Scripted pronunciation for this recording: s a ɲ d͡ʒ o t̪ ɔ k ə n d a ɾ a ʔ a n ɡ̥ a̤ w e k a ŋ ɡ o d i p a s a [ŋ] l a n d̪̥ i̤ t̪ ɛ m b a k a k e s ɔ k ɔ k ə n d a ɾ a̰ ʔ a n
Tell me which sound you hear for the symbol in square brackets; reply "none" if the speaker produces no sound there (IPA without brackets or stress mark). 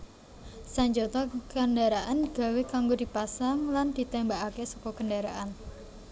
ŋ